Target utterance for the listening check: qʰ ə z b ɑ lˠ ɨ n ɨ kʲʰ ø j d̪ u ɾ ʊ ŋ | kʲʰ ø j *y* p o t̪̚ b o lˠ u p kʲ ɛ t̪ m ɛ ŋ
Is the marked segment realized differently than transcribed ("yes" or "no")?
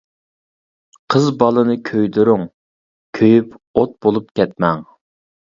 no